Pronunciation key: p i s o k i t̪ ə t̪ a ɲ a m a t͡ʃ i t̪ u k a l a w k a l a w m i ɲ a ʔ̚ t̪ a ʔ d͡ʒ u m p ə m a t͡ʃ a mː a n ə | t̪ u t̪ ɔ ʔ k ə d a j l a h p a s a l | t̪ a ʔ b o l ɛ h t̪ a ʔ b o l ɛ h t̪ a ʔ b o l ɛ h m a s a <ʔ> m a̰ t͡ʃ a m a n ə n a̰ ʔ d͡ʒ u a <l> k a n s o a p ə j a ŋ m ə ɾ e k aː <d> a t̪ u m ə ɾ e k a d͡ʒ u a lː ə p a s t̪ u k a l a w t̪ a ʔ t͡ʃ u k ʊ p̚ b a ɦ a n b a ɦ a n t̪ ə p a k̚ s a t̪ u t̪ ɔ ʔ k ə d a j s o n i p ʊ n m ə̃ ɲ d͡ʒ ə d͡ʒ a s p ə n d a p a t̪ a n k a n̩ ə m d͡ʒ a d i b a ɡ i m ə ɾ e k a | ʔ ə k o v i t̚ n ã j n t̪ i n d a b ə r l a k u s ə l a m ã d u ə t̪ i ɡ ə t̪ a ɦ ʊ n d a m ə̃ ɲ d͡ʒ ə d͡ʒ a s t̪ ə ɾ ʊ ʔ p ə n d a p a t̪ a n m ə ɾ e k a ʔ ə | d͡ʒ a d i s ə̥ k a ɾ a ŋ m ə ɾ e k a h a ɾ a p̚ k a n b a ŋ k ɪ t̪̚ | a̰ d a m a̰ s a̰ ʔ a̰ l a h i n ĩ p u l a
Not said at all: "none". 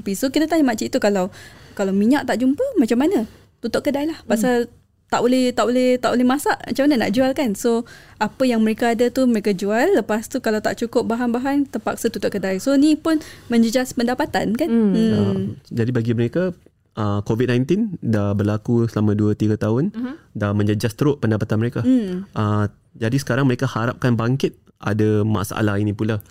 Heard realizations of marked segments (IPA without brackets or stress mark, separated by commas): ʔ, l, d